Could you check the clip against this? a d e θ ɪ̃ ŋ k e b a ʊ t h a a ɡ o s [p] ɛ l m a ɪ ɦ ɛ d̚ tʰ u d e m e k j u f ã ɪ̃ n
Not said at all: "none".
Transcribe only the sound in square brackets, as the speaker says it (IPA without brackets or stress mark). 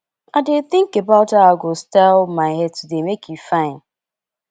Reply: t